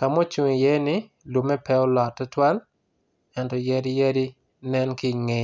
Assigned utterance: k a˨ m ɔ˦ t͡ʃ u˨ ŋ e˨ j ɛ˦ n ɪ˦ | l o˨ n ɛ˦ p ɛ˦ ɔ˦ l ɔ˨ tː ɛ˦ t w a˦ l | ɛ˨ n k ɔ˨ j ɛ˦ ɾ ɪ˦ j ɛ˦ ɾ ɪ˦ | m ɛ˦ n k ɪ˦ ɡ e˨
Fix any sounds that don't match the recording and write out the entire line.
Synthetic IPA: k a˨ m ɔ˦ t͡ʃ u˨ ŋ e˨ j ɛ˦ n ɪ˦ | l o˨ m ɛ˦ p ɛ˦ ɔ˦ l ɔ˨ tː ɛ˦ t w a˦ l | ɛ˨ n t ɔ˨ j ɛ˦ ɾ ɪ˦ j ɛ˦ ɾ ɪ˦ | n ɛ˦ n k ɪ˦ ŋ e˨